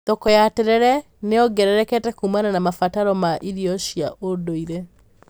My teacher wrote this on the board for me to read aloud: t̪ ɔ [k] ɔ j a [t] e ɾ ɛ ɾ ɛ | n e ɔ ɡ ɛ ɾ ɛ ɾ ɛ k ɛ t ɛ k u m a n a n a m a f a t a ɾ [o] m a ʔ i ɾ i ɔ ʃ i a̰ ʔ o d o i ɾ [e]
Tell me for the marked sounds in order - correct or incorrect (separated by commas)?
correct, correct, incorrect, correct